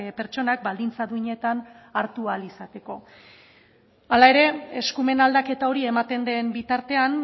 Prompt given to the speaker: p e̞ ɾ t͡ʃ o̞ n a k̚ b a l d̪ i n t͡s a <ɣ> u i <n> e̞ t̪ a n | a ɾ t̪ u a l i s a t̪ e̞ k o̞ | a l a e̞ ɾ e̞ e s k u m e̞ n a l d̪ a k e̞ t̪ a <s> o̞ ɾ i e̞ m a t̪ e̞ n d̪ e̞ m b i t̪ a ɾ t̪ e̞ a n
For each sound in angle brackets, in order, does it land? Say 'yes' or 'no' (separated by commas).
no, no, no